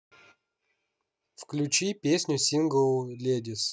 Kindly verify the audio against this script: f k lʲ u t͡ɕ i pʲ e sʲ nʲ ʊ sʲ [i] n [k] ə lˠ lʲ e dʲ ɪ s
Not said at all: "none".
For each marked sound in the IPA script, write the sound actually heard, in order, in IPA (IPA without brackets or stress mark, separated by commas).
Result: i, ɡ